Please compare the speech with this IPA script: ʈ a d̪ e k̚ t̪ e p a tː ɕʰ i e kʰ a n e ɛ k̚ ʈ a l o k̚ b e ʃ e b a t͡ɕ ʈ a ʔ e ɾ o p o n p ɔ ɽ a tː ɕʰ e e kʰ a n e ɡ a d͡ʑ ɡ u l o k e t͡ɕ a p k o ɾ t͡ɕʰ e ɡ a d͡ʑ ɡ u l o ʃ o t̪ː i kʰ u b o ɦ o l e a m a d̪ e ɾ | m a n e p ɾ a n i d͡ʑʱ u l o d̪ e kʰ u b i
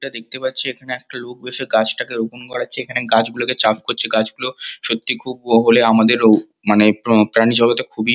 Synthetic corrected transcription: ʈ a d̪ e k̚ t̪ e p a tː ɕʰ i e kʰ a n e ɛ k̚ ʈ a l o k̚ b e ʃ e ɡ a t͡ɕ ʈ a k e ɾ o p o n k ɔ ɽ a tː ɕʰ e e kʰ a n e ɡ a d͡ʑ ɡ u l o k e t͡ɕ a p k o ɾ t͡ɕʰ e ɡ a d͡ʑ ɡ u l o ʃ o t̪ː i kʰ u b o ɦ o l e a m a d̪ e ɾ | m a n e p ɾ a n i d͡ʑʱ ɔ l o t̪ e kʰ u b i